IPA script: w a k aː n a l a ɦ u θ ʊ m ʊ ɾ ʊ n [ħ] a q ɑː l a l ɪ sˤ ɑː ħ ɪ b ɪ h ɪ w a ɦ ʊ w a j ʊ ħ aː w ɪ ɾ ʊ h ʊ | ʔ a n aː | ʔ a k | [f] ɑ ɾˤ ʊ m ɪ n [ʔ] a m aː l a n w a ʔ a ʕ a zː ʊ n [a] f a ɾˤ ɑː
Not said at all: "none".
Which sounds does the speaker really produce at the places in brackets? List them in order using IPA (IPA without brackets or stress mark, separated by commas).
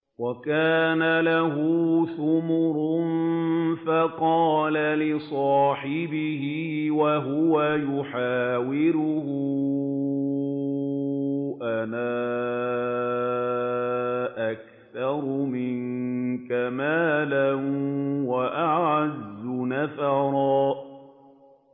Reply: f, θ, k, a